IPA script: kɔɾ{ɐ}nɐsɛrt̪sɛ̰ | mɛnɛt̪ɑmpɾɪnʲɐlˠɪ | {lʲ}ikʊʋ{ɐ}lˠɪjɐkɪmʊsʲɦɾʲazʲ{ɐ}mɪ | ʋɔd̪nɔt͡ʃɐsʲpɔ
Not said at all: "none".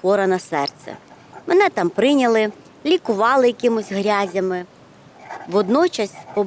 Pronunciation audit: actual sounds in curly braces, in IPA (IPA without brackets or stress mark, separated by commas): ɐ, lʲ, ɑ, ɐ